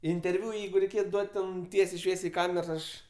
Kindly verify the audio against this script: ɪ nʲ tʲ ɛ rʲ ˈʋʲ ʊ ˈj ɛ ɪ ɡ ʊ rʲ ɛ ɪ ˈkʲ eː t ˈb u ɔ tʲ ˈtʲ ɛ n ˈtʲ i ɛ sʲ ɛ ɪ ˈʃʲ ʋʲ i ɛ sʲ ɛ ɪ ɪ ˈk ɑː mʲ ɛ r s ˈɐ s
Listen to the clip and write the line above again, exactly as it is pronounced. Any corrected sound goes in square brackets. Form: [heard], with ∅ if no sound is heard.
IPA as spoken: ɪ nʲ tʲ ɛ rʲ ˈʋʲ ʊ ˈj ɛ ɪ ɡ ʊ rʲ ɛ ɪ ˈkʲ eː t [ˈd] u ɔ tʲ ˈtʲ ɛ n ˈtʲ i ɛ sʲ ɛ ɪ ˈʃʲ ʋʲ i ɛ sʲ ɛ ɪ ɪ ˈk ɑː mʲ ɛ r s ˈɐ [ʃ]